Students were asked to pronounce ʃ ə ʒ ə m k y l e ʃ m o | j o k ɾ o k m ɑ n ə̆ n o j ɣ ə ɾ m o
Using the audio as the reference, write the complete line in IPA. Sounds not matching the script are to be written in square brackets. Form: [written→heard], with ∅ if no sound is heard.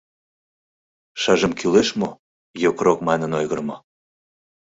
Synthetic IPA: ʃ [ə→ɑ] ʒ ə m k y l e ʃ m o | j o k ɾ o k m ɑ n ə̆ n o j ɣ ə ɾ m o